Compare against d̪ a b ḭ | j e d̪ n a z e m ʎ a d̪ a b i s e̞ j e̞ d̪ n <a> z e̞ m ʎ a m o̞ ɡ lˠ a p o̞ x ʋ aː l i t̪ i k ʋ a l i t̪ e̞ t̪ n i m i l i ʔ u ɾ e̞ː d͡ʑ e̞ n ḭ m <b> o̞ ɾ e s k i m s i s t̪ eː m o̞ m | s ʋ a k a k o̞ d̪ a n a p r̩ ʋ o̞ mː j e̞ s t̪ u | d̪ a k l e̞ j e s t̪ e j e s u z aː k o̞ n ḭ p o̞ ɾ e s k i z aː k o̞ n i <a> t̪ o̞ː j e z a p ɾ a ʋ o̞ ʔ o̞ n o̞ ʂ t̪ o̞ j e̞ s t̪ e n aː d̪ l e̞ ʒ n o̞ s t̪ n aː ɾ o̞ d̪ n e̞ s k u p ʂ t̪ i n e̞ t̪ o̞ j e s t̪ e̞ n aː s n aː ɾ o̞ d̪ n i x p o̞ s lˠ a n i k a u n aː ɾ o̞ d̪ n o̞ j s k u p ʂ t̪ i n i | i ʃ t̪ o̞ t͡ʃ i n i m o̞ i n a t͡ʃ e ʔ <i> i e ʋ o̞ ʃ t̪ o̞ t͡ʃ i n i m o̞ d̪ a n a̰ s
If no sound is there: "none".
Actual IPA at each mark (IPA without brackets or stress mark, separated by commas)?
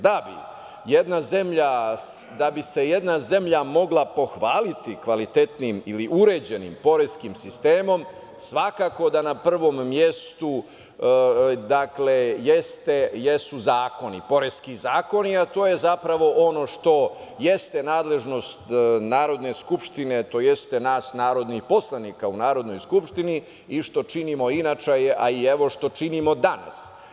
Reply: a, p, a, a